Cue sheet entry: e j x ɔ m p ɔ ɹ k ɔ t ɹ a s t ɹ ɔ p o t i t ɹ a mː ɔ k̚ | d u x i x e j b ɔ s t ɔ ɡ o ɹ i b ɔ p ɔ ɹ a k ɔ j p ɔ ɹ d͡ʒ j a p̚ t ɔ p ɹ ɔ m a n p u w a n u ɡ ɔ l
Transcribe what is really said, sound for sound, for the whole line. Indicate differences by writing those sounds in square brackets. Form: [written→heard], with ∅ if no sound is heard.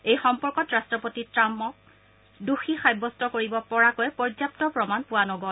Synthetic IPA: e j x ɔ m p ɔ ɹ k ɔ t ɹ a s t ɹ ɔ p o t i t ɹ a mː ɔ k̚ | d u x i x [e→a] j b ɔ s t ɔ [ɡ→k] o ɹ i b ɔ p ɔ ɹ a k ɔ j p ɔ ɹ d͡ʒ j a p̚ t ɔ p ɹ ɔ m a n p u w a n [u→ɔ] ɡ ɔ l